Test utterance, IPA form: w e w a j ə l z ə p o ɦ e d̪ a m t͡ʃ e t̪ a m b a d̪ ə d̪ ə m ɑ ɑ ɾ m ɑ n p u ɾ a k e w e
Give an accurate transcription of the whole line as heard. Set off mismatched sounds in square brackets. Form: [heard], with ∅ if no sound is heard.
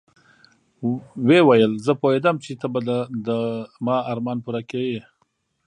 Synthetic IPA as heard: w e w a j ə l z ə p o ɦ e d̪ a m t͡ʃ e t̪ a [∅] b a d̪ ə d̪ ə m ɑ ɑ ɾ m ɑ n p u ɾ a k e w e

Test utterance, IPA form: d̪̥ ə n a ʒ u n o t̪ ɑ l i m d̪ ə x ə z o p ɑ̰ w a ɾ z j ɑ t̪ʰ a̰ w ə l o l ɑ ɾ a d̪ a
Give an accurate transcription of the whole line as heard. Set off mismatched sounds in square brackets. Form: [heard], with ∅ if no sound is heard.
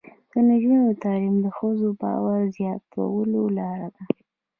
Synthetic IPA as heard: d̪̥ ə n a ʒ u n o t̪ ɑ l i m d̪ ə x ə z o [b] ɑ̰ w a ɾ z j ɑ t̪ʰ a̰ w ə l o l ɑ ɾ a d̪ a

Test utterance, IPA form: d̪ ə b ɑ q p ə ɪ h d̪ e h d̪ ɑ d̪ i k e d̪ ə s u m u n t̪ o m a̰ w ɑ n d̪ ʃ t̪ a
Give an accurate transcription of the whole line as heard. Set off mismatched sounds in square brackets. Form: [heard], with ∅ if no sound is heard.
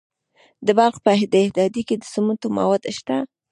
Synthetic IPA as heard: d̪ ə b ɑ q p ə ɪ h d̪ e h d̪ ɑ d̪ i k e d̪ ə s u m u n t̪ o m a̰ w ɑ [∅] d̪ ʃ t̪ a

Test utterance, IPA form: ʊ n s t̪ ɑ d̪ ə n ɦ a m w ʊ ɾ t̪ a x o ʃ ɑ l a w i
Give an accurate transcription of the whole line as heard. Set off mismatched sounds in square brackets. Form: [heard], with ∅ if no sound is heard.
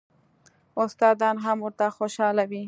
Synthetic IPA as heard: ʊ [∅] s t̪ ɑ d̪ [ɑ] n ɦ a m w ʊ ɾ t̪ a x o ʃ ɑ l a w i

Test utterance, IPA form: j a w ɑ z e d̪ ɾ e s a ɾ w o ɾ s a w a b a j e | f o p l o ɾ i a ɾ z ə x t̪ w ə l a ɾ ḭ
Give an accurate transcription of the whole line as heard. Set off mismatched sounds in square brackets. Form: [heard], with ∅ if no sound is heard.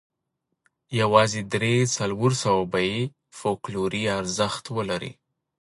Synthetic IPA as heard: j a w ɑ z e d̪ ɾ e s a [l] w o ɾ s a w a b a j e | f o [k] l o ɾ i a ɾ z ə x t̪ w ə l a ɾ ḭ

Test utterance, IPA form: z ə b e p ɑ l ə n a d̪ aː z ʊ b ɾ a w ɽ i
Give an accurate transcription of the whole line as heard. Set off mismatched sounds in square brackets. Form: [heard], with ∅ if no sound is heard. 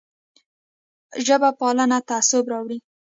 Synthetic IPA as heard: [ʒ] ə b [a] p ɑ l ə n a [t̪] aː [s] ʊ b ɾ [ɑ] w ɽ i

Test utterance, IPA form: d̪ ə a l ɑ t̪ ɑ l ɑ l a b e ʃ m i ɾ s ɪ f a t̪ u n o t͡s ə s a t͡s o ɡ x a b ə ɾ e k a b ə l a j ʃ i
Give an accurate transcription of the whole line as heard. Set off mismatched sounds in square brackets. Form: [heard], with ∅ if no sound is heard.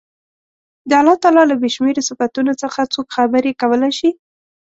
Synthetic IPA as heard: d̪ ə a l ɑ t̪ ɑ l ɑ l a b e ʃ m [e] ɾ s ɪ f a t̪ u n o t͡s ə [x] a t͡s o [k] x a b ə ɾ e k a [w] ə l a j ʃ i

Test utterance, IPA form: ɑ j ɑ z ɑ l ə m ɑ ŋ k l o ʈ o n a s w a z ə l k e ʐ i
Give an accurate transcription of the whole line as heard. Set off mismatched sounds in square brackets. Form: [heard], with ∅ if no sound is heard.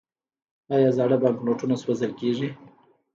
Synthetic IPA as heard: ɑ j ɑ z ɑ [ɽ] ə [b] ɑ ŋ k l o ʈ [u] n a s w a z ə l k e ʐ i

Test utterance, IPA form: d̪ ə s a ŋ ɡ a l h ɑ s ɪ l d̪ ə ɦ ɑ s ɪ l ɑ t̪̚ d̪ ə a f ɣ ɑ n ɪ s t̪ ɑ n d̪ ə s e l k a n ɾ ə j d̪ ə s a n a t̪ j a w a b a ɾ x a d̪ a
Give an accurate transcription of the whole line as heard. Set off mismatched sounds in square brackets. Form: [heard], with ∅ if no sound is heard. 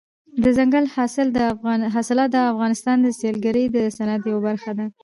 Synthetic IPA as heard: d̪ ə [z] a ŋ ɡ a l h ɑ s ɪ l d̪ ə ɦ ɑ s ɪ l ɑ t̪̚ d̪ ə a f ɣ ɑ n ɪ s t̪ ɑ n d̪ ə s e l [ɡ] a [∅] ɾ ə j d̪ ə s a n a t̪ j a w a b a ɾ x a d̪ a

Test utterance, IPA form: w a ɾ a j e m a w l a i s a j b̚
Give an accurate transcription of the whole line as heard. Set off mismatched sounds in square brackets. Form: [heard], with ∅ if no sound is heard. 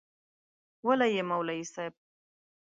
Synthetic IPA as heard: w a [l] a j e m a w l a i s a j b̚

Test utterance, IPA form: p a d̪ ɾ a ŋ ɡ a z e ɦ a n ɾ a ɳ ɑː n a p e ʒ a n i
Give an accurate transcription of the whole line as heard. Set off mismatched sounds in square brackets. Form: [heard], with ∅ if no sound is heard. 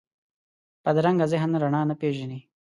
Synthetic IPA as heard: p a d̪ ɾ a ŋ ɡ a z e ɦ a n ɾ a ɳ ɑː n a p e ʒ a n i

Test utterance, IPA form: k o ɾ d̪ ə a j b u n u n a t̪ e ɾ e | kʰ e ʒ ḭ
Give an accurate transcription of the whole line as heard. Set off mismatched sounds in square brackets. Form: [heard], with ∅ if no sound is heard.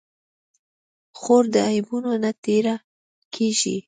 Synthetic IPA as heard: [x] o ɾ d̪ ə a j b u n [o] n a t̪ e ɾ [a] | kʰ e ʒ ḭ

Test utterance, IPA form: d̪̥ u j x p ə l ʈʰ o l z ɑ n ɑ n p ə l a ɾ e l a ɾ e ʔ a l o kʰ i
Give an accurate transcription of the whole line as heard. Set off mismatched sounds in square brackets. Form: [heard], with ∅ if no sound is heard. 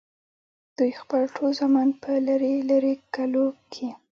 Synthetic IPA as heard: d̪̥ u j x p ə l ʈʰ o l z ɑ [m] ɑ n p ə l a ɾ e l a ɾ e [k] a l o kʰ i

